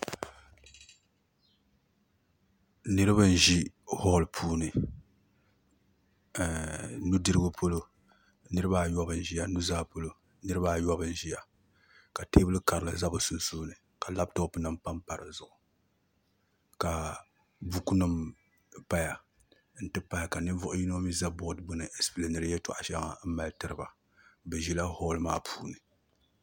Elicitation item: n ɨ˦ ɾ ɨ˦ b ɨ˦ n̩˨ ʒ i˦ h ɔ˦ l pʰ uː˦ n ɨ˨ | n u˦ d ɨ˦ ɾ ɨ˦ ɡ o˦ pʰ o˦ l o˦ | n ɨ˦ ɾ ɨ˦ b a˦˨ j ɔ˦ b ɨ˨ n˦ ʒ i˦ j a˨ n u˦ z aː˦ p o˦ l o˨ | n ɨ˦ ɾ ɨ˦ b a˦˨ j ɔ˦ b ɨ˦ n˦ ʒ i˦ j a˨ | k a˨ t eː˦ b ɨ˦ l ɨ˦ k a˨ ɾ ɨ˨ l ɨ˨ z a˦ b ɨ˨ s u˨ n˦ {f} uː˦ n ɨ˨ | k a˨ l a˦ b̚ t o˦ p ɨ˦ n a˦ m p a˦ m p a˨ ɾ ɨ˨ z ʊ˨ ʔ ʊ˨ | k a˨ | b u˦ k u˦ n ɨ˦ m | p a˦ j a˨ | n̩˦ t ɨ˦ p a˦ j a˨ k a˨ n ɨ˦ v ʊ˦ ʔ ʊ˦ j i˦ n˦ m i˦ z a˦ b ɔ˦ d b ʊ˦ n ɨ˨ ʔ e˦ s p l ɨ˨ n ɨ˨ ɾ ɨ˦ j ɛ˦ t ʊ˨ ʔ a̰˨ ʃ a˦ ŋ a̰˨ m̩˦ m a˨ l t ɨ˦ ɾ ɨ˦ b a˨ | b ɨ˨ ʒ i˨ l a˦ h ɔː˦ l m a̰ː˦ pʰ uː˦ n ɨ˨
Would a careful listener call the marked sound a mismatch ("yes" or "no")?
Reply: yes